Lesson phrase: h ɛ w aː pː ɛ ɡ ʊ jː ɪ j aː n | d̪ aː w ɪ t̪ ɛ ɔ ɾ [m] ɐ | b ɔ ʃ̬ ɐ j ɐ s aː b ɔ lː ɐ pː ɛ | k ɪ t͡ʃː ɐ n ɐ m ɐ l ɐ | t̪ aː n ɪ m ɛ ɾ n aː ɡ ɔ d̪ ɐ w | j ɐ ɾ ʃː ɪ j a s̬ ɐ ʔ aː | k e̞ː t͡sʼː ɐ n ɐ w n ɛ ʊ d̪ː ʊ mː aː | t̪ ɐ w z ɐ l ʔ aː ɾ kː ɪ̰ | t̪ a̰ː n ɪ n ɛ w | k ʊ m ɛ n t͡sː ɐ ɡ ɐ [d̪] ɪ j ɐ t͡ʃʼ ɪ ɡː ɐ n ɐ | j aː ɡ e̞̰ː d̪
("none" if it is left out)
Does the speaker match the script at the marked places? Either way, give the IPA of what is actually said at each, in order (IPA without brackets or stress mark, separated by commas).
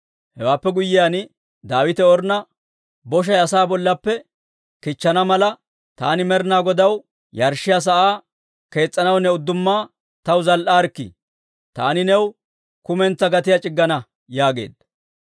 n, t̪